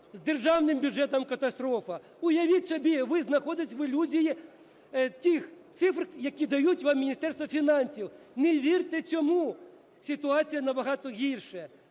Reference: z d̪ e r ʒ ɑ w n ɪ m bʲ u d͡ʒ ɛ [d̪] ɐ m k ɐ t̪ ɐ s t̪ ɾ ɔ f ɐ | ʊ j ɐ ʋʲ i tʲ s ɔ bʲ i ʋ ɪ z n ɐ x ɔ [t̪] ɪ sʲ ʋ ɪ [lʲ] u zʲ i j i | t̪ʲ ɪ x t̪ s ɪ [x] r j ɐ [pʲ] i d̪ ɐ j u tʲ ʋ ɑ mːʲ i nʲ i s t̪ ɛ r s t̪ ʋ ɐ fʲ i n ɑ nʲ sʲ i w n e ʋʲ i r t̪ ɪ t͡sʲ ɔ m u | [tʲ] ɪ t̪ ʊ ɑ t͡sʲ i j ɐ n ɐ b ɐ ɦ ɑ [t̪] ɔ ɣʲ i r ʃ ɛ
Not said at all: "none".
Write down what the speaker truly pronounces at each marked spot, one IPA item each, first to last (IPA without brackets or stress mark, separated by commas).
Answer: t̪, d̪, lʲ, f, kʲ, sʲ, t̪